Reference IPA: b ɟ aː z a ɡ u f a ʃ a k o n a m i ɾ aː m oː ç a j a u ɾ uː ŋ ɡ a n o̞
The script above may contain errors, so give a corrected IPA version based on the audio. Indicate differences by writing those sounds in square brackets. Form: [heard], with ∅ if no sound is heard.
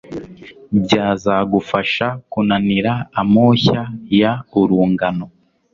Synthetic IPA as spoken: b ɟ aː z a ɡ u f a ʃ a k [u] n a [n] i ɾ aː m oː ç a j a u ɾ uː ŋ ɡ a n o̞